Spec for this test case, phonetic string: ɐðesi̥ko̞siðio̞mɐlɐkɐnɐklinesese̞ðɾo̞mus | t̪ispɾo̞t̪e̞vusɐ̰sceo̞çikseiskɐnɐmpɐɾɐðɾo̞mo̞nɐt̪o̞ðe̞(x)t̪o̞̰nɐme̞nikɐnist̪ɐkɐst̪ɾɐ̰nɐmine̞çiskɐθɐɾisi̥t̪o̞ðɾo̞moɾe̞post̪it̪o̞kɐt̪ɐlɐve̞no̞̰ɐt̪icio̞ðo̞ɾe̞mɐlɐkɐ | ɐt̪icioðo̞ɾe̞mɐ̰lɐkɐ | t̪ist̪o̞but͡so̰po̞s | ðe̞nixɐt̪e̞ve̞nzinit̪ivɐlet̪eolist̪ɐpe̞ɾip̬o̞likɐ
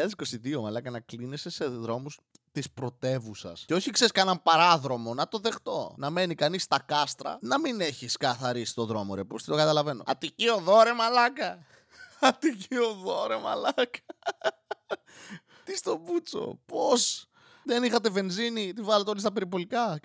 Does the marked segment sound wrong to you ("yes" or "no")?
no